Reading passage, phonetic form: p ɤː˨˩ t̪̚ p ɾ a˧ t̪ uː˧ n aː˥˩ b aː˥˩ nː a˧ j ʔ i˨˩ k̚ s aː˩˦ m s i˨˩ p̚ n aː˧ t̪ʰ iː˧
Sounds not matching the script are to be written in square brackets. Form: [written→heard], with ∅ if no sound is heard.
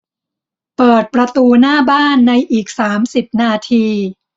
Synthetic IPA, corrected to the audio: p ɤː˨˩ t̪̚ p ɾ a˧ t̪ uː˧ n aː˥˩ b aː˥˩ nː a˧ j ʔ [i˨˩→iː˨˩] k̚ s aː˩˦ m s i˨˩ p̚ n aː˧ t̪ʰ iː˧

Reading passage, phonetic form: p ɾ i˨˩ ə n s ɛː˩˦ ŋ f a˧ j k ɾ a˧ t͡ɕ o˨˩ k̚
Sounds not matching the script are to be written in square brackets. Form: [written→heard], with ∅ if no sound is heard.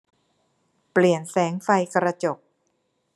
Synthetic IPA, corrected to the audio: p [ɾ→l] i˨˩ ə n s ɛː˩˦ ŋ f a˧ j k ɾ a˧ t͡ɕ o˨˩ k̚

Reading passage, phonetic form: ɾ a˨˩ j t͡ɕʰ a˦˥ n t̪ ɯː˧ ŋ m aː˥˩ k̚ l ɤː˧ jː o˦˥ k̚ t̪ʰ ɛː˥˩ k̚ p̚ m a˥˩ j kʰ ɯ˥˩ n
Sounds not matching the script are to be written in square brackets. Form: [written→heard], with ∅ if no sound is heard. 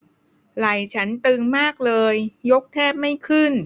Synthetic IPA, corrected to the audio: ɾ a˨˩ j t͡ɕʰ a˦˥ n t̪ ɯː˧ ŋ m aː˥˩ k̚ l ɤː˧ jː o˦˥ k̚ t̪ʰ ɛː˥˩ [k̚→∅] p̚ m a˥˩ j kʰ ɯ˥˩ n

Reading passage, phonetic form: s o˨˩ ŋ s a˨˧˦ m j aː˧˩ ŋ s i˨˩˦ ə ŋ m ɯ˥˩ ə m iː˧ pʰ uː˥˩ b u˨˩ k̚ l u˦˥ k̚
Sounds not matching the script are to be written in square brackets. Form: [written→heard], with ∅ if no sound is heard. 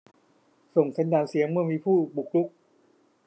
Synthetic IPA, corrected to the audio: s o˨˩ ŋ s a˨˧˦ [m→n] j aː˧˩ [ŋ→n] s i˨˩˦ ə ŋ m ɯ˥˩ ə m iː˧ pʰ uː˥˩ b u˨˩ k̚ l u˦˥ k̚

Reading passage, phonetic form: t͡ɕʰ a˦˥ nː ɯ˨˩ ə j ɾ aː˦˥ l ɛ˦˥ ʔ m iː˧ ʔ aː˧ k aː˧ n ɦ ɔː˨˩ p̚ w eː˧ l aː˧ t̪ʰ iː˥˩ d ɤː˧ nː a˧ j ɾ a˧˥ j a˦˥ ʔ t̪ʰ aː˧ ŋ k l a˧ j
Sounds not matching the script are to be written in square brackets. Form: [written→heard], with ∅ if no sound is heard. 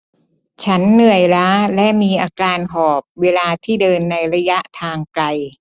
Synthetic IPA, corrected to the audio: t͡ɕʰ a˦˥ nː ɯ˨˩ ə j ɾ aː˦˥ l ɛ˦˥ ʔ m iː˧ ʔ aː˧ k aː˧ n ɦ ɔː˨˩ p̚ w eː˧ l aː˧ t̪ʰ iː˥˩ d ɤː˧ nː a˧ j ɾ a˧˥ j a˦˥ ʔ t̪ʰ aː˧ ŋ k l a˧ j

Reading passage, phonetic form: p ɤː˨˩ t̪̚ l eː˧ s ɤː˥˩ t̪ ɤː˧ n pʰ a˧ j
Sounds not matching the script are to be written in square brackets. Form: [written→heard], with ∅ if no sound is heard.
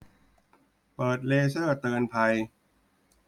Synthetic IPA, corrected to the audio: p ɤː˨˩ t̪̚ l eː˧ s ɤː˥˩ t̪ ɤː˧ n pʰ a˧ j

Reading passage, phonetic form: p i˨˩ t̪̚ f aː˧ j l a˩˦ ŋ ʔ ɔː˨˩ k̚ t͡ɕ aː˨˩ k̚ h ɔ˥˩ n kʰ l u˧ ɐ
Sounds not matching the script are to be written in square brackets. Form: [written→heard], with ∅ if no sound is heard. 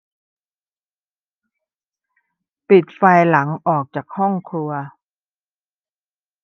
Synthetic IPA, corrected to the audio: p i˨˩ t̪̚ f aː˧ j l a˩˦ ŋ ʔ ɔː˨˩ k̚ t͡ɕ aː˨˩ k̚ h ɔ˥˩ [n→ŋ] kʰ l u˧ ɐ

